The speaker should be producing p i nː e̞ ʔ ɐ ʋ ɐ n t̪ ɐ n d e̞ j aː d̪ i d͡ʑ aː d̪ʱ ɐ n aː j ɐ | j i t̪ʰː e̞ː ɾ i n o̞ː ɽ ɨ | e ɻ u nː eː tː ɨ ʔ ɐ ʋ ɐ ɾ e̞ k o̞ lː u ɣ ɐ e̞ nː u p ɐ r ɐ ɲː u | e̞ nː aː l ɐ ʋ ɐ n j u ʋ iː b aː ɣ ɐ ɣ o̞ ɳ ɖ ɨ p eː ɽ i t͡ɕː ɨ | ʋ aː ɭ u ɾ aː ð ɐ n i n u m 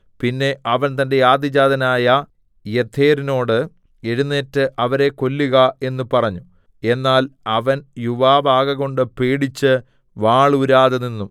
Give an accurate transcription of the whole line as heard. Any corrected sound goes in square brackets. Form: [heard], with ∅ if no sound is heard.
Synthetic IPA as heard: p i nː e̞ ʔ ɐ ʋ ɐ n t̪ ɐ n d e̞ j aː d̪ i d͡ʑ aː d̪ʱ ɐ n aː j ɐ | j [e] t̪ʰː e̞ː ɾ i n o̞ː ɽ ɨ | e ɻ u nː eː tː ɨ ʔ ɐ ʋ ɐ ɾ e̞ k o̞ lː u ɣ ɐ e̞ nː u p ɐ r ɐ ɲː u | e̞ nː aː l ɐ ʋ ɐ n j u ʋ [aː] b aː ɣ ɐ ɣ o̞ ɳ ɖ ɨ p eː ɽ i t͡ɕː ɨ | ʋ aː ɭ u ɾ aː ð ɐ n i [nː] u m